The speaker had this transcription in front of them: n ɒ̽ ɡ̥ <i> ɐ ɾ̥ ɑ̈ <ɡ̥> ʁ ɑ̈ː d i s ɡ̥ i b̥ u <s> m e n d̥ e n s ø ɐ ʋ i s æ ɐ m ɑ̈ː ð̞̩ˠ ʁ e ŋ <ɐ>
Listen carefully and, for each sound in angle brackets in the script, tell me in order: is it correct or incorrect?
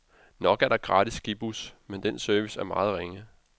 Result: incorrect: æ, correct, correct, incorrect: ə

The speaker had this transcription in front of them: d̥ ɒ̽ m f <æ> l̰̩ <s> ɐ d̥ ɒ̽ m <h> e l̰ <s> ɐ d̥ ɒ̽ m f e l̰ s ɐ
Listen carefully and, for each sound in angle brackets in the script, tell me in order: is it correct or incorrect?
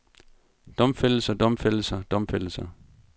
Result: incorrect: e, correct, incorrect: f, correct

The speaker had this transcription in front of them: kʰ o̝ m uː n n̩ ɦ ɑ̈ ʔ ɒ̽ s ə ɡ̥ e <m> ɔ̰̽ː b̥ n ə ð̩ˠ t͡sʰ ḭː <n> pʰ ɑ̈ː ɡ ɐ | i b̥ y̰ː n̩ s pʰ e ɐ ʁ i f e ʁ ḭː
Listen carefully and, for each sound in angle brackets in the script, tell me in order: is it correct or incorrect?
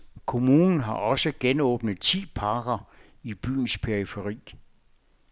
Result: incorrect: n, incorrect: none

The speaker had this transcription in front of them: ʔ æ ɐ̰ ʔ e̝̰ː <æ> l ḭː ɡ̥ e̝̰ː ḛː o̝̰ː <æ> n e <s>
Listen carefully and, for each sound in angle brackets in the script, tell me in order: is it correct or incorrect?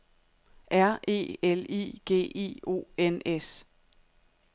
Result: incorrect: e, incorrect: e, correct

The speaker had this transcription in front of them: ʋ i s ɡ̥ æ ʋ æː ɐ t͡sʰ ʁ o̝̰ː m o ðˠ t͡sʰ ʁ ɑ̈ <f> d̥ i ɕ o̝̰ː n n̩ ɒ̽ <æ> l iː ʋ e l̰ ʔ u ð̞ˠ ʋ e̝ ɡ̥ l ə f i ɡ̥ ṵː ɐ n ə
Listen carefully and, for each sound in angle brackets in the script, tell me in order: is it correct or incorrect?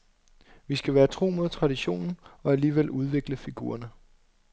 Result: incorrect: none, correct

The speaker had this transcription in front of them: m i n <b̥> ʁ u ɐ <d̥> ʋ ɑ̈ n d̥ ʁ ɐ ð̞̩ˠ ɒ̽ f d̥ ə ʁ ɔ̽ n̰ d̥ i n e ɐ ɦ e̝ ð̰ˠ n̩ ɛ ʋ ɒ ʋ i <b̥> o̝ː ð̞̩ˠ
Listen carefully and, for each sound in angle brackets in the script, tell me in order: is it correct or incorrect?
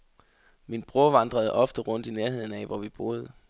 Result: correct, incorrect: none, correct

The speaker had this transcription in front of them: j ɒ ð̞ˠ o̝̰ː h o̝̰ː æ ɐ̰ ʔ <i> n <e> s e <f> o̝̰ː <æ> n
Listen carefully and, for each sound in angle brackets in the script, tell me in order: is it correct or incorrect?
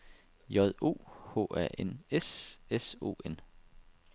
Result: incorrect: e, correct, incorrect: s, incorrect: e

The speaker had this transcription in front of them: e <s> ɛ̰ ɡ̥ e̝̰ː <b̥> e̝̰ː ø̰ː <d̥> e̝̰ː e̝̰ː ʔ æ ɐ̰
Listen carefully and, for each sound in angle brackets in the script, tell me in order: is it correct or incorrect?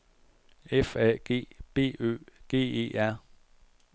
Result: incorrect: f, correct, incorrect: ɡ̥

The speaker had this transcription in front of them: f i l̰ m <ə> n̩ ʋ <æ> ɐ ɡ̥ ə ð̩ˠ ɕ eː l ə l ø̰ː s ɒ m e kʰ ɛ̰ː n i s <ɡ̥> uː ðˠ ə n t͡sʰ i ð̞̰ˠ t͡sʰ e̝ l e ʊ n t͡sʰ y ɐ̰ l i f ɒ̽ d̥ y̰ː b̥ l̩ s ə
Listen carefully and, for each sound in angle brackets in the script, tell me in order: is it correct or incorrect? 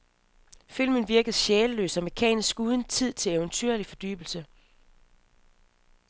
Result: correct, incorrect: i, correct

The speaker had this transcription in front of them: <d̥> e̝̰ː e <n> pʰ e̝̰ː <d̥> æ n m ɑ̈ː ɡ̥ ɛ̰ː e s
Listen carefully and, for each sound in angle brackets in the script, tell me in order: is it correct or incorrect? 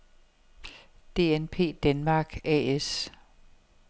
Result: correct, correct, correct

